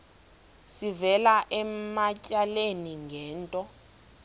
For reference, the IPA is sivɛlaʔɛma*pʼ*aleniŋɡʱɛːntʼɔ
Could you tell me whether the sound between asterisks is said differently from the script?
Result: yes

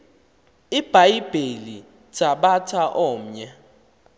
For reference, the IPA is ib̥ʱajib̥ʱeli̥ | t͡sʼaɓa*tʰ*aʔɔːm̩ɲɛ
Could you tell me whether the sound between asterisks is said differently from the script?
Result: no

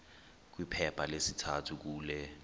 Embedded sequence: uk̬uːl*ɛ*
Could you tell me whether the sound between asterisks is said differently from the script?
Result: no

